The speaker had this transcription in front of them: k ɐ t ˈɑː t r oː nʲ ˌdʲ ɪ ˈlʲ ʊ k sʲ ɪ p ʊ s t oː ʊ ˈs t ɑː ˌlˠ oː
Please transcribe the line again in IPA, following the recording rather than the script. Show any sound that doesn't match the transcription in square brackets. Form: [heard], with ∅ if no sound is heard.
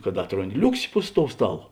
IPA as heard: k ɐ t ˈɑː t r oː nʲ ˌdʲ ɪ ˈlʲ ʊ k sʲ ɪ p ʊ s t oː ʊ ˈs t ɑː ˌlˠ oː